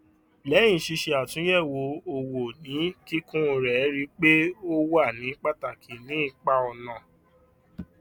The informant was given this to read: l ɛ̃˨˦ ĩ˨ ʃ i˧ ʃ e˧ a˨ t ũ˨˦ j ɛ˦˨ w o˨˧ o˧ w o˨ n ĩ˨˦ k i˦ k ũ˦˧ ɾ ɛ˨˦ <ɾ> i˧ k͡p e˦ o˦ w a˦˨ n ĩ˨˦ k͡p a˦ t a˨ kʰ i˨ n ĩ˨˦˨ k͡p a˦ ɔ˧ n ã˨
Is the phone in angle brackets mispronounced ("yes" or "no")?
no